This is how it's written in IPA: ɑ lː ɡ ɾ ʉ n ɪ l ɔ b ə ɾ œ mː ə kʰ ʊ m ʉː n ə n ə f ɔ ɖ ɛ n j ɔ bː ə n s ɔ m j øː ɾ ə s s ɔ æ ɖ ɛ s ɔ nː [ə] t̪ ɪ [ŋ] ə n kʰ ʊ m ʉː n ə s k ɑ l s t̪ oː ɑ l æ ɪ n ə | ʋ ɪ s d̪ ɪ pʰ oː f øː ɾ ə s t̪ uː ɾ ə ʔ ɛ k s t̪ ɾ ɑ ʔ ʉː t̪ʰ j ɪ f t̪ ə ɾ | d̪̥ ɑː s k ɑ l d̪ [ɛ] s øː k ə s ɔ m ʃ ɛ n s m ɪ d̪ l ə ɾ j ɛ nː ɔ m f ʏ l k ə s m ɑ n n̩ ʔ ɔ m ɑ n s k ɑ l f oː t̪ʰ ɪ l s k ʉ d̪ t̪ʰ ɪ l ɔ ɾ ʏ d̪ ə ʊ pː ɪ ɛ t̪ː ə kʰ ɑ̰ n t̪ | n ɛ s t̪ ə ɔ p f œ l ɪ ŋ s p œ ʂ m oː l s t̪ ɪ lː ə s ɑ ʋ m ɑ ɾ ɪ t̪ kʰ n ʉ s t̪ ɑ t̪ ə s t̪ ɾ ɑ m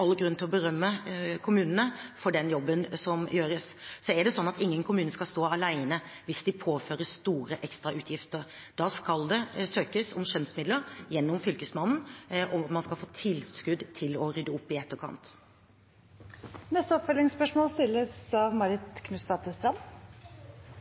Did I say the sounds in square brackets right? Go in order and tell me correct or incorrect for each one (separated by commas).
incorrect, incorrect, correct